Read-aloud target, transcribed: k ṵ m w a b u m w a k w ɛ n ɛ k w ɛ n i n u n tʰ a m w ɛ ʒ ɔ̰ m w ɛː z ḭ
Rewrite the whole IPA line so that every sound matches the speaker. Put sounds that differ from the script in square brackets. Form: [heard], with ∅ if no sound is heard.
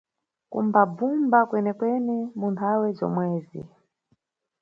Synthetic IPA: k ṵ m [b] a b u m [b] a k w ɛ n ɛ k w ɛ n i [m] u n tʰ a [∅] w ɛ [z] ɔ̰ m w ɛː z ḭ